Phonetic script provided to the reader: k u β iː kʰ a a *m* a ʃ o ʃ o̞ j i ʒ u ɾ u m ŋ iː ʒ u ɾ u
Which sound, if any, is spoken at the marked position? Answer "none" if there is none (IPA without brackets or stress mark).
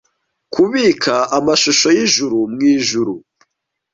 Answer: m